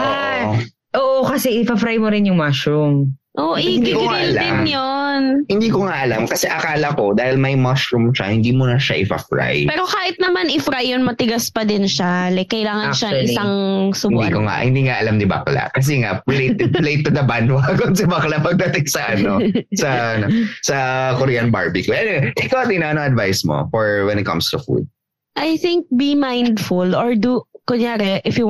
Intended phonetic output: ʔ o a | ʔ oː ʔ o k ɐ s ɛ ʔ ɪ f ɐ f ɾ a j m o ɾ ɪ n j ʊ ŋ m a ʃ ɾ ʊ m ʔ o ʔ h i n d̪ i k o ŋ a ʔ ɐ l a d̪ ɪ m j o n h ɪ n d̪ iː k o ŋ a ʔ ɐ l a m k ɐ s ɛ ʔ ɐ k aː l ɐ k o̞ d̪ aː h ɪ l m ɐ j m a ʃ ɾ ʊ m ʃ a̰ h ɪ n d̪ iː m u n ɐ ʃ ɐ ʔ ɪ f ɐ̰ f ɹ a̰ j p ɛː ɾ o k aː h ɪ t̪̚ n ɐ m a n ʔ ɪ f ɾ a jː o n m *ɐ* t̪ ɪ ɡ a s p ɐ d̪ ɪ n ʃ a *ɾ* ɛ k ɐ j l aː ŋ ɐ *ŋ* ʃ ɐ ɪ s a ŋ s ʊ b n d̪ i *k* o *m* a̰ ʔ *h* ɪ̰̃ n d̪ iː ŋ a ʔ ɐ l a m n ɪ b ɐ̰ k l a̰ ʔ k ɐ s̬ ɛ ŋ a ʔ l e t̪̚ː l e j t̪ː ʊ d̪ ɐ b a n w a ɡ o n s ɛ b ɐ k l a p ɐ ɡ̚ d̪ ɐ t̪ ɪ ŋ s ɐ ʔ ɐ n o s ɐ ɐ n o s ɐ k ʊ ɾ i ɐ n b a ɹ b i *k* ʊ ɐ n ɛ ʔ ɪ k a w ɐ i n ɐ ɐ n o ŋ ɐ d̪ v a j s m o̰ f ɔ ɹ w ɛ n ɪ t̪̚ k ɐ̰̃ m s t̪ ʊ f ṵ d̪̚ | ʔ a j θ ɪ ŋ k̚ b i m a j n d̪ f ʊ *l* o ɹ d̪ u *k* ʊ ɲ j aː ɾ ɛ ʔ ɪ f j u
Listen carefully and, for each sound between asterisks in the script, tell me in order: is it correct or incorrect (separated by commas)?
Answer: correct, incorrect, incorrect, correct, incorrect, correct, correct, correct, correct